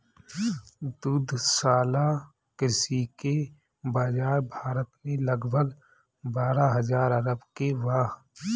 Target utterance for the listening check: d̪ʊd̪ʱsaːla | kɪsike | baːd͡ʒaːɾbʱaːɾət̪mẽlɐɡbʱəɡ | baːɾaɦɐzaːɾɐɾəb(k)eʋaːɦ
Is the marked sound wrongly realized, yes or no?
no